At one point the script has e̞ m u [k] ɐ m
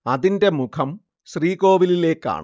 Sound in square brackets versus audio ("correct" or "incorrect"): incorrect